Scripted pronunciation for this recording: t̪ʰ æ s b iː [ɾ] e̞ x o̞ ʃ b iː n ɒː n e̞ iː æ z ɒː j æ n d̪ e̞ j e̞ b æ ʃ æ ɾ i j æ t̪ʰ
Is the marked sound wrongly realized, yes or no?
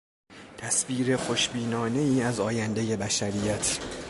no